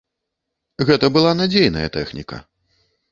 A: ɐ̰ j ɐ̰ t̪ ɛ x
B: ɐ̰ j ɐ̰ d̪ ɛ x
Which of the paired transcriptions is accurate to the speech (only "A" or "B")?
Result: A